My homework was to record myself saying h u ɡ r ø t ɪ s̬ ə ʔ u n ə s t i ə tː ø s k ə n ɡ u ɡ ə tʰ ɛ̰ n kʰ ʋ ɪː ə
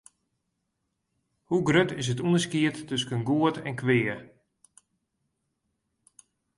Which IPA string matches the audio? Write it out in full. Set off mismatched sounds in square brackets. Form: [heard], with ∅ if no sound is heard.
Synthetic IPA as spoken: h u ɡ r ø t ɪ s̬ ə [t] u n ə s [k] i ə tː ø s k ə n ɡ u [∅] ə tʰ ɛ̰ n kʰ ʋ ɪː ə